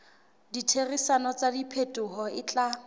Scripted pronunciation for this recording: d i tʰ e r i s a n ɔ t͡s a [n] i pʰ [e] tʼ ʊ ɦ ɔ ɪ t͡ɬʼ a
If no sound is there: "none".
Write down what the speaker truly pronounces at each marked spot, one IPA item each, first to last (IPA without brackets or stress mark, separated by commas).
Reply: d, e